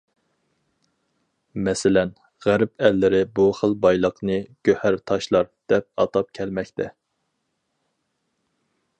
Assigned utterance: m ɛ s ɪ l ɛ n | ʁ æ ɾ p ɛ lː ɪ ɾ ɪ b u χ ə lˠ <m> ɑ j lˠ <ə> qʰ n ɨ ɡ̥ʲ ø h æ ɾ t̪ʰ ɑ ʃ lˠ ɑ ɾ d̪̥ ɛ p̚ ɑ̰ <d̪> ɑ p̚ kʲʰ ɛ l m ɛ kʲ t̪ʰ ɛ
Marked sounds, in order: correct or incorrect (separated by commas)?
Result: incorrect, correct, incorrect